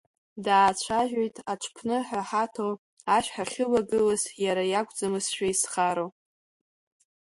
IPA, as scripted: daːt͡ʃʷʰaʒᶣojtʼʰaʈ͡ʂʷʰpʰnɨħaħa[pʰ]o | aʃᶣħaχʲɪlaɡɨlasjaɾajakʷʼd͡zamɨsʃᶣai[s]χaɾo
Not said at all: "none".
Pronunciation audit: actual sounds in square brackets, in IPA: tʰ, s

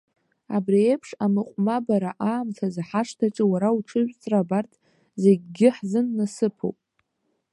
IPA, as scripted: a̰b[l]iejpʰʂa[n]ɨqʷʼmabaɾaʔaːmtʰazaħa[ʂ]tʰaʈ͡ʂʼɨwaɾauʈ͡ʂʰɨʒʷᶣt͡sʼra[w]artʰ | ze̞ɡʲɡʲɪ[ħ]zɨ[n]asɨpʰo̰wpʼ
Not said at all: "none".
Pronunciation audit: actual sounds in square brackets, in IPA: r, m, ʂ, b, ħ, nː

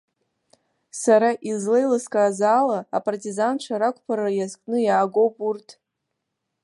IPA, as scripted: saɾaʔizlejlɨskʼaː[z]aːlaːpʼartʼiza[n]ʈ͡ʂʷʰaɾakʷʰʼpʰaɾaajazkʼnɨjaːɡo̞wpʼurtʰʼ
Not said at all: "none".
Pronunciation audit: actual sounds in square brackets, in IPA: z, n

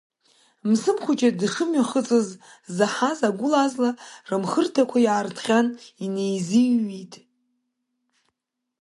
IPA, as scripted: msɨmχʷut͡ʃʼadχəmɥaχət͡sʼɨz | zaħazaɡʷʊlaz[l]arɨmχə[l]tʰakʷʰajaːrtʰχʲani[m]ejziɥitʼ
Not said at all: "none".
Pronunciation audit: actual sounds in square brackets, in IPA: l, r, n

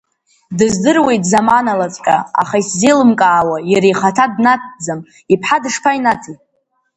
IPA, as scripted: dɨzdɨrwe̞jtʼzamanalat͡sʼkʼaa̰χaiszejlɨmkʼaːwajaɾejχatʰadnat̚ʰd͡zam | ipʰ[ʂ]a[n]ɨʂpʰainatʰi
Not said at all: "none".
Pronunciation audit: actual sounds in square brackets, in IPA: ħ, d

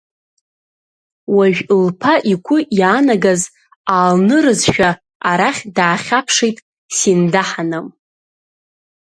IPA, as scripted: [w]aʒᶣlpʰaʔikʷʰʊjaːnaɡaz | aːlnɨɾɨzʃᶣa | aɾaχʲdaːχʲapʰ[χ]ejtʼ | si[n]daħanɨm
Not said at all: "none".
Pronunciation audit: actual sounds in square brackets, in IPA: w, ʂ, n

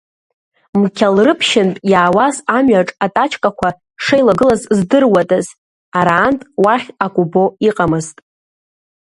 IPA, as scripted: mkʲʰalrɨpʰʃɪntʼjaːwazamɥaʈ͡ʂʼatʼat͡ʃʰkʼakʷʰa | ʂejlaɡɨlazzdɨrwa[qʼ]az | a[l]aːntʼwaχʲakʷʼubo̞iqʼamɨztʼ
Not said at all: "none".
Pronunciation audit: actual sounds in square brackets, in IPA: tʼ, ɾ

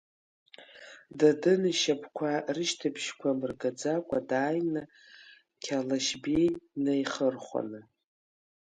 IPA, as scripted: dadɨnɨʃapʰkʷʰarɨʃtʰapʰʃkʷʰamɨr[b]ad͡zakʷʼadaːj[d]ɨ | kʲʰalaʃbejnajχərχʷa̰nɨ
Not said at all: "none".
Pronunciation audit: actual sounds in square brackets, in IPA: ɡ, n

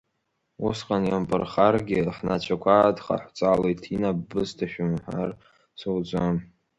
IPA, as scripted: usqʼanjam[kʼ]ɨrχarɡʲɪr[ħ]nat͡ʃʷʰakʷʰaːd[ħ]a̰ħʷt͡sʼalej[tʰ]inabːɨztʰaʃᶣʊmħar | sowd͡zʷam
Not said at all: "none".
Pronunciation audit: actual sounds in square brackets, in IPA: pʼ, ħ, χ, tʰ

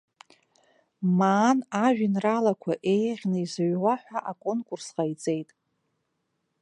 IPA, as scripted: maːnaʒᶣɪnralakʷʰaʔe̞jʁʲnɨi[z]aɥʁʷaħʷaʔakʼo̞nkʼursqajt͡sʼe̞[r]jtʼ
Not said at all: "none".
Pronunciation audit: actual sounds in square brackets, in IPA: z, none

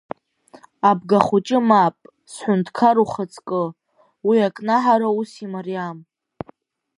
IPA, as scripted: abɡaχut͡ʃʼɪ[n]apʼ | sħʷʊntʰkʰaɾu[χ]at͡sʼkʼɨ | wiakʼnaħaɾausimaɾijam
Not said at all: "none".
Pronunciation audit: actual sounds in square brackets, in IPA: m, χ

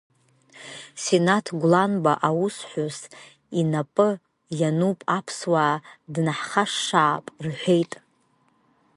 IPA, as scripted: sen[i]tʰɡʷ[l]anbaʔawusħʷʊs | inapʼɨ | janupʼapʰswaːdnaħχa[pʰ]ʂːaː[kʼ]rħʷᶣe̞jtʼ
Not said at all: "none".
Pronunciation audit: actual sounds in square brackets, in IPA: a, l, none, pʼ

